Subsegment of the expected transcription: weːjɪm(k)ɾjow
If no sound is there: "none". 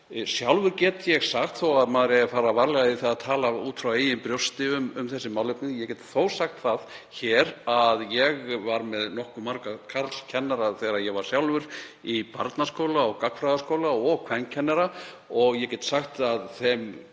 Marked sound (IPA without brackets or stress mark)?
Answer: p